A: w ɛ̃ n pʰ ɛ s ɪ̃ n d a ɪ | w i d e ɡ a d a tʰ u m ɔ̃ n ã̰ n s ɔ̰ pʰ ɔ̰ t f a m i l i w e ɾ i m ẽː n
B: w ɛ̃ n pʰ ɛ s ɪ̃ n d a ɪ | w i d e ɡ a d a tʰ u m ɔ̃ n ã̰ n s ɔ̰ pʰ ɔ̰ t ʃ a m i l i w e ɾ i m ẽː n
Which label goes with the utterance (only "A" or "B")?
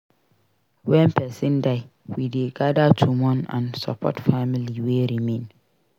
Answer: A